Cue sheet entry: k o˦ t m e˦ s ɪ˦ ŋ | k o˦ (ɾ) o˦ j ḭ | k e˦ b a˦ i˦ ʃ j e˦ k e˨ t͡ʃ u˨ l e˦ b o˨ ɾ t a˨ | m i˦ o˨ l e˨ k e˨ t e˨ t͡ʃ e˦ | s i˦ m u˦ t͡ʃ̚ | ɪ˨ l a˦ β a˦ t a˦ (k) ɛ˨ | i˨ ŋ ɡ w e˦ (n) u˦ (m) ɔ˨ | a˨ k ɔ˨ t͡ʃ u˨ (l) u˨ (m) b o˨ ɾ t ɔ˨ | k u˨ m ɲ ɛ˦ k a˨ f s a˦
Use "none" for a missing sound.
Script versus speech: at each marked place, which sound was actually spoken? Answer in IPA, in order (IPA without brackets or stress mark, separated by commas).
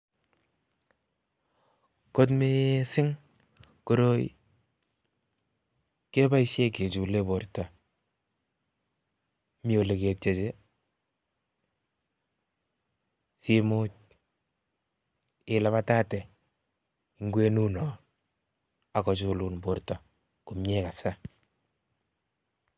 ɾ, t, n, n, l, n